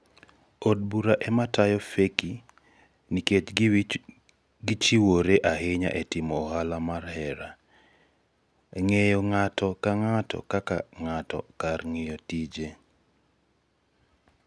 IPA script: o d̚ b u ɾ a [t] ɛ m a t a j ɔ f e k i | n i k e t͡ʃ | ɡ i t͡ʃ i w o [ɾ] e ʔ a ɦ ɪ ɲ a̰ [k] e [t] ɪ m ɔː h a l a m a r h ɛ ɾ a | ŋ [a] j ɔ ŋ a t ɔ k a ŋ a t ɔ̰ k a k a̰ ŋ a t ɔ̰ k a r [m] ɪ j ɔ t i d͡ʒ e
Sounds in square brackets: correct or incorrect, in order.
incorrect: ʔ, correct, incorrect: ʔ, correct, incorrect: e, incorrect: ŋ

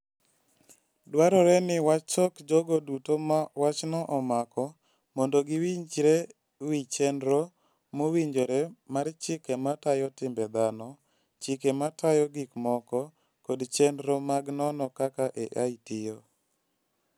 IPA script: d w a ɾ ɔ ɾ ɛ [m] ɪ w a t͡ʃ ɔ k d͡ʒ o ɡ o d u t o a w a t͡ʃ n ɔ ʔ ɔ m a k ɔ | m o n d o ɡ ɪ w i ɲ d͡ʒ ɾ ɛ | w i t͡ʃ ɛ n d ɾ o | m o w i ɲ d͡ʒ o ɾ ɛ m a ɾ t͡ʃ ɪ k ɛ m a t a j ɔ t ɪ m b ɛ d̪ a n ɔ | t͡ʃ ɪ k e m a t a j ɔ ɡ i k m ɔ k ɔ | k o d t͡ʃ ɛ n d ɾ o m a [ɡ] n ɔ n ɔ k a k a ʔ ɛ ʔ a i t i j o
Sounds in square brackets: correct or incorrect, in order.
incorrect: n, correct

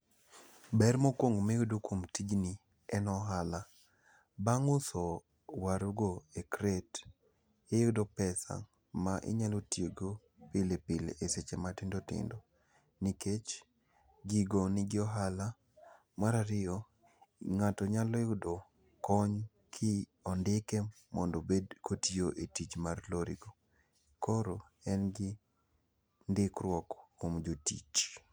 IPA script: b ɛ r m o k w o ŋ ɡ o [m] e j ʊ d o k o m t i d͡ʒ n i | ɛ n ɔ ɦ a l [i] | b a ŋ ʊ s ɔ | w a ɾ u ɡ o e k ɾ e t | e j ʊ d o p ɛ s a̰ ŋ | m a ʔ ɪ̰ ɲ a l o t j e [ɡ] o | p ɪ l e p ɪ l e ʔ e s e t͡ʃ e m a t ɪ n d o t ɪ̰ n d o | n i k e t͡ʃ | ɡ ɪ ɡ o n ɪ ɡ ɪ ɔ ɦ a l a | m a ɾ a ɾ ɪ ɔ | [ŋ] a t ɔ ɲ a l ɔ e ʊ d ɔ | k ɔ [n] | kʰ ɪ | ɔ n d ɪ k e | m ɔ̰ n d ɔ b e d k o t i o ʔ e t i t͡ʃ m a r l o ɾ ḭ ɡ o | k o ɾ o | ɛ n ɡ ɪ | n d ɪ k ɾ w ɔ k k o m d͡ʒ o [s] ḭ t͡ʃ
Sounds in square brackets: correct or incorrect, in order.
correct, incorrect: a, correct, correct, incorrect: ɲ, incorrect: t

